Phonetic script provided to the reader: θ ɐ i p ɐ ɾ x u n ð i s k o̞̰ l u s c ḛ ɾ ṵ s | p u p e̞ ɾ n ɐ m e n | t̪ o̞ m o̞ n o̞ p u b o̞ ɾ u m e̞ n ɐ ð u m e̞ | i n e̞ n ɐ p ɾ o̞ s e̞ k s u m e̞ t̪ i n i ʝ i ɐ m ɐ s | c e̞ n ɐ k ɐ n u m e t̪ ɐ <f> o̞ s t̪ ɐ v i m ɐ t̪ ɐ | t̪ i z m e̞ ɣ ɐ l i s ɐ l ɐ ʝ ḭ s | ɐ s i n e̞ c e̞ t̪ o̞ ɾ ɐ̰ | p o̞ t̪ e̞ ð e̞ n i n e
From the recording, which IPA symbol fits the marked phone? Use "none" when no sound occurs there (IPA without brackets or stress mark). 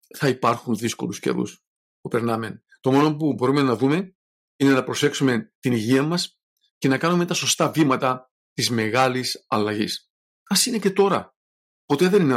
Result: s